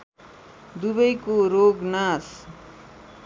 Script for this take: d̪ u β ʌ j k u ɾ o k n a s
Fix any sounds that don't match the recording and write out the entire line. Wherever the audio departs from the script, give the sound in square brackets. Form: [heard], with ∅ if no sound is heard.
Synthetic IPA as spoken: d̪ u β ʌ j k [o] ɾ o [ɡ] n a s